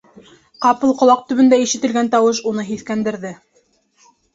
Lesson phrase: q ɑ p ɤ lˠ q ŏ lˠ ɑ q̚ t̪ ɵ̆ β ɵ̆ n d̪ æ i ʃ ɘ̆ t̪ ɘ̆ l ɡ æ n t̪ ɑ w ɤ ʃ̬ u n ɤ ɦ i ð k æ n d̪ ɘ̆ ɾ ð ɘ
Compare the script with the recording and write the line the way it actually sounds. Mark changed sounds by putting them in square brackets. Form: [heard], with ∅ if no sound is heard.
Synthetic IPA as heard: q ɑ p ɤ lˠ q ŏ lˠ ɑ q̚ t̪ ɵ̆ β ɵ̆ n d̪ æ i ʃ ɘ̆ t̪ ɘ̆ l ɡ æ n t̪ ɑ w ɤ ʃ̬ u n ɤ ɦ i [θ] k æ n d̪ ɘ̆ ɾ ð ɘ